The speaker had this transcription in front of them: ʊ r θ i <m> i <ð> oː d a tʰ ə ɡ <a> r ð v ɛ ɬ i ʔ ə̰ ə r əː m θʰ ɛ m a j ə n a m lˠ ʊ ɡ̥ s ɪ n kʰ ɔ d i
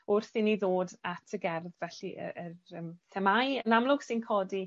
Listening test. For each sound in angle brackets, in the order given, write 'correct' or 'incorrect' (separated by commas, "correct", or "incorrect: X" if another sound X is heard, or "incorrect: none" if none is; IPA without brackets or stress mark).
incorrect: n, correct, incorrect: ɛ